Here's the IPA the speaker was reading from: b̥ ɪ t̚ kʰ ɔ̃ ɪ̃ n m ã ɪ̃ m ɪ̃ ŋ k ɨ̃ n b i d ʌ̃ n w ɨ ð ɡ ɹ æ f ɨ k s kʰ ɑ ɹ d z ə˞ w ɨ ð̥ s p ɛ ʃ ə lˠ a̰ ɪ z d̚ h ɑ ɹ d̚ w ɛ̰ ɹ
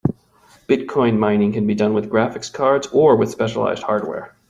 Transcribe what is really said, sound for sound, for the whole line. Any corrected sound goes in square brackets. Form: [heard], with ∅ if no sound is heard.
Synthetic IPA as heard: b̥ ɪ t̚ kʰ ɔ̃ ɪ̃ n m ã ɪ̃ [n] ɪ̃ ŋ k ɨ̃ n b i d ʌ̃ n w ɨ ð ɡ ɹ æ f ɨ k s kʰ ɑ ɹ d z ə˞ w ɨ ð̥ s p ɛ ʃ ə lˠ a̰ ɪ z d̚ h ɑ ɹ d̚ w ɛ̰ ɹ